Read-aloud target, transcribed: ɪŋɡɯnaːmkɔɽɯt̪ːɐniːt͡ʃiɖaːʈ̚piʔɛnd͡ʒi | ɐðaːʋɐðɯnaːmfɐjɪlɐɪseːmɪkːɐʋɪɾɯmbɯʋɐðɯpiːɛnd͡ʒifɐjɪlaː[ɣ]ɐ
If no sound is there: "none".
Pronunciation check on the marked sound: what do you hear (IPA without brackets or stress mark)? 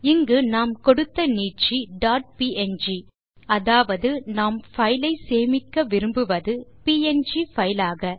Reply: ɣ